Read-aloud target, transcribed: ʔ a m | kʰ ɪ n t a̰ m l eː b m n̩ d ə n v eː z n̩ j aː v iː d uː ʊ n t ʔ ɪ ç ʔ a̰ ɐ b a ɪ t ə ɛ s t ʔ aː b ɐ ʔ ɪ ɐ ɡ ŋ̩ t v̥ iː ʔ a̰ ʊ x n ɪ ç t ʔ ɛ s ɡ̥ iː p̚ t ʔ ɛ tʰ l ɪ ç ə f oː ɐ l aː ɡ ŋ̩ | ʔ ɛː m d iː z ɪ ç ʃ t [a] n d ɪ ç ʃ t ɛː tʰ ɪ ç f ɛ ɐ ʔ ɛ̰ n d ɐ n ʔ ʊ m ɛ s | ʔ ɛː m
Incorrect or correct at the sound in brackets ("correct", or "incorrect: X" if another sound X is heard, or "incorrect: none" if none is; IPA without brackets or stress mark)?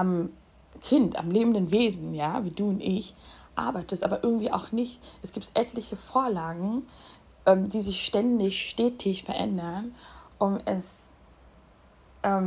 incorrect: ɛ